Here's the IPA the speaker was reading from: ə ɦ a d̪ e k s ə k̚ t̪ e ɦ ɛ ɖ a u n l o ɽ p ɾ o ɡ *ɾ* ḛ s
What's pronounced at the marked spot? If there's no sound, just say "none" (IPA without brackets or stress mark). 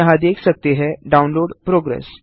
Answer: ɾ